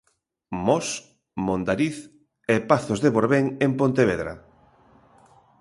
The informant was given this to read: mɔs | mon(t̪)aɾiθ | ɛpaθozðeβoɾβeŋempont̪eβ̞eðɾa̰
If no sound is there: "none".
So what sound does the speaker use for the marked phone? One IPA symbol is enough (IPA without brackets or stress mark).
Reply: d̪